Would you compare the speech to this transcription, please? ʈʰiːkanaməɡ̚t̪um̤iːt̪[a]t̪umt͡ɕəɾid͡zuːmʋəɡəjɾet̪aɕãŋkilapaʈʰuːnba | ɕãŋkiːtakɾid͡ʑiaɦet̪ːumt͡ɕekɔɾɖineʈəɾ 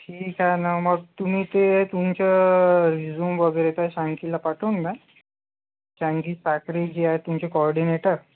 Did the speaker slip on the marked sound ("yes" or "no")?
yes